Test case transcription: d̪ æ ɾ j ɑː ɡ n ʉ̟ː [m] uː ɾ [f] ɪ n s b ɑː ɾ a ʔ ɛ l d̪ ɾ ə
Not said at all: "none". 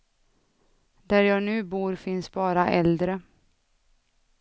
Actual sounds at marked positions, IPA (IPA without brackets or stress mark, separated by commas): b, f